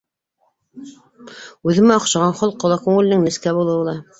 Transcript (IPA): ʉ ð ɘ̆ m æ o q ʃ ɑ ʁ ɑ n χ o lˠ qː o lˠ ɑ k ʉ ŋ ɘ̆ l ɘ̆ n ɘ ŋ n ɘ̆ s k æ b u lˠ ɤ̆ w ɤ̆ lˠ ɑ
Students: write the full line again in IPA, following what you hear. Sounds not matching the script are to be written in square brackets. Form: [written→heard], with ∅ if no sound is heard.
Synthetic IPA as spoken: ʉ ð ɘ̆ m æ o q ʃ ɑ ʁ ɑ n χ o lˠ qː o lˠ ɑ k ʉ ŋ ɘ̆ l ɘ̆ n ɘ ŋ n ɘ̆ s k æ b u lˠ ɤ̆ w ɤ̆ lˠ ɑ